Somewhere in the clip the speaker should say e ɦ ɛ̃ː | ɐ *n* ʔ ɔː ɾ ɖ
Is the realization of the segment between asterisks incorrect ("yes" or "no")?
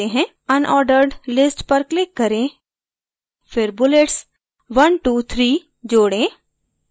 no